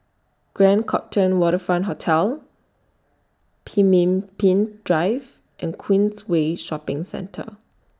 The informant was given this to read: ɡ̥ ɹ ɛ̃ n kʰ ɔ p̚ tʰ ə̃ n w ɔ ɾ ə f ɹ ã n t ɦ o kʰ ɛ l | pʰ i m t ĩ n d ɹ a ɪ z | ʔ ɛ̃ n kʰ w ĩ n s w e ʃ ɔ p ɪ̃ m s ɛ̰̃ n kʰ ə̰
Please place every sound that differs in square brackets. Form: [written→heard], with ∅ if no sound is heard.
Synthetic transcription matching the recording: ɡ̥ ɹ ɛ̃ n kʰ ɔ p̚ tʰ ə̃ n w ɔ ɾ ə f ɹ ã n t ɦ o [kʰ→tʰ] ɛ l | pʰ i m [t→p] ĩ n d ɹ a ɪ [z→v] | ʔ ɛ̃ n kʰ w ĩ n s w e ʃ ɔ p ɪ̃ [m→ŋ] s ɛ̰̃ n [kʰ→tʰ] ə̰

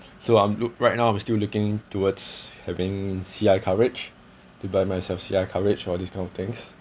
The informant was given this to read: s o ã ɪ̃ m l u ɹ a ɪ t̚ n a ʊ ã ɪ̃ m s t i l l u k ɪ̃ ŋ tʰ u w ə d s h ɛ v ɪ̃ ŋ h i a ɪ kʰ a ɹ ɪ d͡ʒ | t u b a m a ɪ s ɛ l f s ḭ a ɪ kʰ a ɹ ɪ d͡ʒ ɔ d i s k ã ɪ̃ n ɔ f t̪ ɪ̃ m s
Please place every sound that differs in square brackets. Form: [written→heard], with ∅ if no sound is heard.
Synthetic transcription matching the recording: s o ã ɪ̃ m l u ɹ a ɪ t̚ n a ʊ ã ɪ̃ m s t i l l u k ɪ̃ ŋ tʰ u w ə d s h ɛ v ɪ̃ ŋ [h→s] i a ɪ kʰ a ɹ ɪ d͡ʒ | t u b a m a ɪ s ɛ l f s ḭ a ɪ kʰ a ɹ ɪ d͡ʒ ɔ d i s k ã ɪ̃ n ɔ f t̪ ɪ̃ [m→ŋ] s

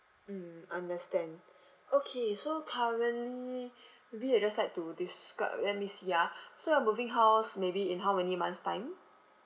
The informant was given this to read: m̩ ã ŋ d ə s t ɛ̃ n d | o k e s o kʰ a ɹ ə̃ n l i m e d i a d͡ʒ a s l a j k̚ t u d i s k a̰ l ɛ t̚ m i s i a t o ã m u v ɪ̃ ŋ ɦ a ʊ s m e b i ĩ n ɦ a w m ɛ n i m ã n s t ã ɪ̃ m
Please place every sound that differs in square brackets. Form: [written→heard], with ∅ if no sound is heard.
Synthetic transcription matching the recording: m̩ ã [ŋ→n] d ə s t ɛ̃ n d | o [k→kʰ] e s o kʰ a ɹ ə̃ n l i m e [d→b] i a d͡ʒ a s l a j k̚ t u d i s k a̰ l ɛ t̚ m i s i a [t→s] o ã m u v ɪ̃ ŋ ɦ a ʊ s m e b i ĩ n ɦ a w m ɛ n i m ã n s t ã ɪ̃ m

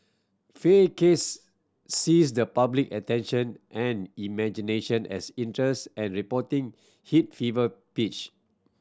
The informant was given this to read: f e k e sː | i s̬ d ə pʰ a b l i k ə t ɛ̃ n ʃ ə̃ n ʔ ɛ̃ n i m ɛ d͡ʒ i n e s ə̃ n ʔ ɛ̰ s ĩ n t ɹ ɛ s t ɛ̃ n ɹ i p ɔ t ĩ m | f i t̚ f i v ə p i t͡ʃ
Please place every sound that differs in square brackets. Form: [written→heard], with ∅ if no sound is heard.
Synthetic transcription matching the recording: f e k e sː | i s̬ d ə [pʰ→p] a b l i k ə t ɛ̃ n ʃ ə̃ n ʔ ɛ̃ n i m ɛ d͡ʒ i n e [s→ʃ] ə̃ n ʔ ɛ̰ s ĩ n t ɹ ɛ s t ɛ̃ n ɹ i p ɔ t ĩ [m→ŋ] | [f→h] i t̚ f i v ə p i t͡ʃ

